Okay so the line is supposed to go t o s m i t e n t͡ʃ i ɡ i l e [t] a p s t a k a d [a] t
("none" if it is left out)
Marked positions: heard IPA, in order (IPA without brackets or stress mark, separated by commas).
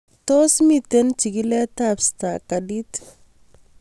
t, i